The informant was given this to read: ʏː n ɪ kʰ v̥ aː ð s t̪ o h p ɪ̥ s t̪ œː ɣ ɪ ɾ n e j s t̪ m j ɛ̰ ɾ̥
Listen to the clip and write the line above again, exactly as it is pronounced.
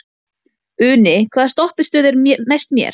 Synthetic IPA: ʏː n ɪ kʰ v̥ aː ð s t̪ ɔ h p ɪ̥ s t̪ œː ð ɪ ɾ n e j s t̪ m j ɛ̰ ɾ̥